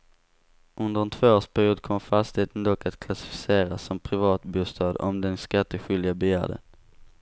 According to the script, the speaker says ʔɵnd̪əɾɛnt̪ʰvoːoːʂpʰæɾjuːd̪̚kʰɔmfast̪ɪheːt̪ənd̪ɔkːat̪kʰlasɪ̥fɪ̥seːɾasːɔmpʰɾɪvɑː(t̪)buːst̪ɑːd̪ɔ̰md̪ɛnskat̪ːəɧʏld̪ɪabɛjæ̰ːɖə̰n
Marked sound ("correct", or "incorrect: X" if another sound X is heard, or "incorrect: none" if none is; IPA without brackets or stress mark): correct